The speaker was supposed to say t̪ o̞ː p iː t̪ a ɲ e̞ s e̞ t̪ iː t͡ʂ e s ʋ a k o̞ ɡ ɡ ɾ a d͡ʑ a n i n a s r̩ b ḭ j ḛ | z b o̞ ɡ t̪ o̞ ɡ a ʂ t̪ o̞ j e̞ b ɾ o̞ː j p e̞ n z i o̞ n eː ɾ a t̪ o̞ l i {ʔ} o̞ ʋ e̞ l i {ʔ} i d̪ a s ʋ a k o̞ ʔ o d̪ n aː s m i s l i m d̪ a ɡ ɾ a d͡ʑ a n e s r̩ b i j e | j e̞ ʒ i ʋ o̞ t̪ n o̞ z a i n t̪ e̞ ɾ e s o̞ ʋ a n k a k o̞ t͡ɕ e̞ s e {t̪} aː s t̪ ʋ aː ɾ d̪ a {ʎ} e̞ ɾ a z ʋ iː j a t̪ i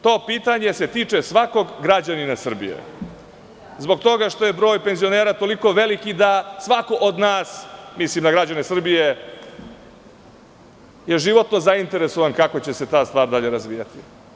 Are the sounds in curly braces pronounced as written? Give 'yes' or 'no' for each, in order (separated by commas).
no, no, yes, yes